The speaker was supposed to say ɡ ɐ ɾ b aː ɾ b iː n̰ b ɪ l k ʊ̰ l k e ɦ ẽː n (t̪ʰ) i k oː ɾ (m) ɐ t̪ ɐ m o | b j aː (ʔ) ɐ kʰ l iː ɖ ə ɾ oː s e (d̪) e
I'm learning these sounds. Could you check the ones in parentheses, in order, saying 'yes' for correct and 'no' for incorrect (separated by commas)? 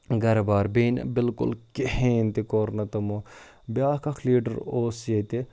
no, no, no, no